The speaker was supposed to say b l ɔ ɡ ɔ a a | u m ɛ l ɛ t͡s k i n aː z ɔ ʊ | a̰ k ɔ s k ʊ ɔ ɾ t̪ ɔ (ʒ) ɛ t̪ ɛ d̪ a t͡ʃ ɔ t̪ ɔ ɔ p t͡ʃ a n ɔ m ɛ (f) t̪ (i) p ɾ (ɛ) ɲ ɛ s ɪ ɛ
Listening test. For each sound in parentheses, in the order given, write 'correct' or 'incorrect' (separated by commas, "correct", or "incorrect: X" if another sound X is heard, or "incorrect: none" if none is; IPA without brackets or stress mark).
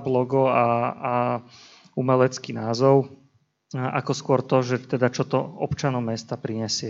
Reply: correct, incorrect: s, incorrect: a, incorrect: i